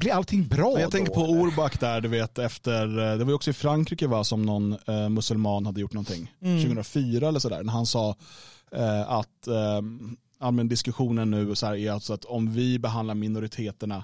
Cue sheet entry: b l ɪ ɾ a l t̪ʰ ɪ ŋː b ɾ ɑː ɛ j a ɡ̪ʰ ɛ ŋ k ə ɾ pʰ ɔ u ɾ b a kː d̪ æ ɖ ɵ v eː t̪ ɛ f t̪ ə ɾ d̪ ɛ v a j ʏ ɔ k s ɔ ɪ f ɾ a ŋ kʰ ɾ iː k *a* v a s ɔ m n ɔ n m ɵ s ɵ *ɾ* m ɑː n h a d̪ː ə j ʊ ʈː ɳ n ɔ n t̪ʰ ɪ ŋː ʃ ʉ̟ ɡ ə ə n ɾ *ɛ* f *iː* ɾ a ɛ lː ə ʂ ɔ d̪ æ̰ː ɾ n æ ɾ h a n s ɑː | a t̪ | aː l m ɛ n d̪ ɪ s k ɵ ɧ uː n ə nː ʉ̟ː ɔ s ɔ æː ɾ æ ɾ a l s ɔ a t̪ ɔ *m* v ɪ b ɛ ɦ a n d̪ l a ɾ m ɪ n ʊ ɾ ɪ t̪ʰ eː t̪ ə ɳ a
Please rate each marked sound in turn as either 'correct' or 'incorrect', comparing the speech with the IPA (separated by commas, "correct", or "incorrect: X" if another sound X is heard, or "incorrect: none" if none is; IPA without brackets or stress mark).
incorrect: ə, incorrect: l, incorrect: a, incorrect: yː, correct